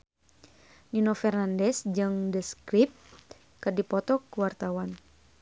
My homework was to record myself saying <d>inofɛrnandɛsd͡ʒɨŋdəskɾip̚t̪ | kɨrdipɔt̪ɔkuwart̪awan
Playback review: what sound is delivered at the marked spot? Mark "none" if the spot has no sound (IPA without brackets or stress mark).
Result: n